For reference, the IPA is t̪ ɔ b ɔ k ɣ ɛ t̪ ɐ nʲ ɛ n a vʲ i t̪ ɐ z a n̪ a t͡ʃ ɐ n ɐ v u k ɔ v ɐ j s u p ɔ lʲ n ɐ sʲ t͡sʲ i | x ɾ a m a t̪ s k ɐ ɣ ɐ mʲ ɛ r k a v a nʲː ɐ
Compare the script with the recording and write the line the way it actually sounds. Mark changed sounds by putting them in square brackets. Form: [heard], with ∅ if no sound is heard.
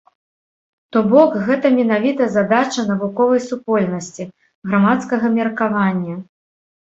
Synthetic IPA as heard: t̪ ɔ b ɔ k ɣ ɛ t̪ ɐ [mʲ] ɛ n a vʲ i t̪ ɐ z a [d̪] a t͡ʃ ɐ n ɐ v u k ɔ v ɐ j s u p ɔ lʲ n ɐ sʲ t͡sʲ i | [ɣ] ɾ a m a t̪ s k ɐ ɣ ɐ mʲ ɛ r k a v a nʲː ɐ